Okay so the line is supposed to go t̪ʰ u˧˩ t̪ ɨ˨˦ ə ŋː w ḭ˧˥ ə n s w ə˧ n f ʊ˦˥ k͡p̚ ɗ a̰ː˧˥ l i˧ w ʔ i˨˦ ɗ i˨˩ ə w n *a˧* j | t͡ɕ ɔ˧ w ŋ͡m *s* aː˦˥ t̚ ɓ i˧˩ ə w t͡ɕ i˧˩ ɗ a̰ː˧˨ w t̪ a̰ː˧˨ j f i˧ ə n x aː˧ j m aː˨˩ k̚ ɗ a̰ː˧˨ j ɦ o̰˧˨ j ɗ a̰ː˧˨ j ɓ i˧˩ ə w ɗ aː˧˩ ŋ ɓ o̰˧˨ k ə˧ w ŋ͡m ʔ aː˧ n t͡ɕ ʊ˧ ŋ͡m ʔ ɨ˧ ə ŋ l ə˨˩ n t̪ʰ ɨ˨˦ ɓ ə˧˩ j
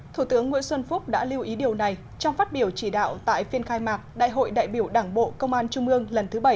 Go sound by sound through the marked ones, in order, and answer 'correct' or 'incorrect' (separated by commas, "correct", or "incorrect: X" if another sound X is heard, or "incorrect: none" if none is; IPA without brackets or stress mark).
incorrect: a˨˩, incorrect: f